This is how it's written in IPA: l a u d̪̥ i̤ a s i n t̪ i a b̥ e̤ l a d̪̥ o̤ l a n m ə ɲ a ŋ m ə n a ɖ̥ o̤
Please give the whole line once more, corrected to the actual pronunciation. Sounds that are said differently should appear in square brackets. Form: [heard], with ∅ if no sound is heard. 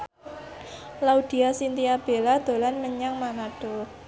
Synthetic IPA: l a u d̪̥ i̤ a s i n t̪ i a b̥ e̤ l a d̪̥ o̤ l a n m ə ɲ a ŋ m [a] n a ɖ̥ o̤